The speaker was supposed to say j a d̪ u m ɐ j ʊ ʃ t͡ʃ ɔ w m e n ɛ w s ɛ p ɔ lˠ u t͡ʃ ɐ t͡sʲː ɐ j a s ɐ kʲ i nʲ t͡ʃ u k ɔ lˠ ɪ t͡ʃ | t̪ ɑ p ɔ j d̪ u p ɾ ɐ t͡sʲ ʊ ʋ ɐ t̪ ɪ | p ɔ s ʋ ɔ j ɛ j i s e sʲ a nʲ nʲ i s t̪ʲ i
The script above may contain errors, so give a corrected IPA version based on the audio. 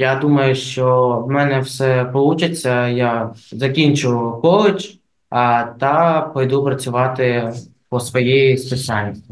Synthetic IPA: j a d̪ u m ɐ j ʊ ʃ t͡ʃ ɔ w m ɛ n ɛ w s ɛ p ɔ lˠ u t͡ʃ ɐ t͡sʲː ɐ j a z ɐ kʲ i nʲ t͡ʃ ʊ k ɔ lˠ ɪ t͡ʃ | t̪ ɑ p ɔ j d̪ u p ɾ ɐ t͡sʲ ʊ ʋ ɑ t̪ ɪ | p ɔ s ʋ ɔ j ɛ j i s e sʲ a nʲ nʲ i s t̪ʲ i